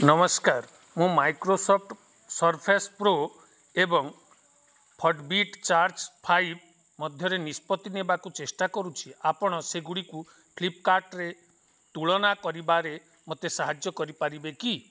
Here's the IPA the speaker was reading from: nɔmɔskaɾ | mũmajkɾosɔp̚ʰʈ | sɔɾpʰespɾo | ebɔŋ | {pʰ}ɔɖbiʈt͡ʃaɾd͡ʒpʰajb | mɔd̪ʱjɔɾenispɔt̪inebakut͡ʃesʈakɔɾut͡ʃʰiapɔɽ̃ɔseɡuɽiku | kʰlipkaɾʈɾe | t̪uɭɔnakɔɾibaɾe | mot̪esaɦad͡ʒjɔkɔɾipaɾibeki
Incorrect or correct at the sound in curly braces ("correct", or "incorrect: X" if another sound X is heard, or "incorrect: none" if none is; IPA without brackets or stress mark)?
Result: correct